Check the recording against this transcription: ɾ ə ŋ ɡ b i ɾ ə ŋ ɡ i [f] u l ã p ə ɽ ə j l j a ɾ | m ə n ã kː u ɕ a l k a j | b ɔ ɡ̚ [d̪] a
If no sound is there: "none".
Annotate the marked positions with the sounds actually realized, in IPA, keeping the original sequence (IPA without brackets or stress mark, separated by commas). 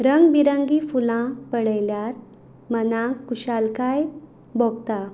f, t̪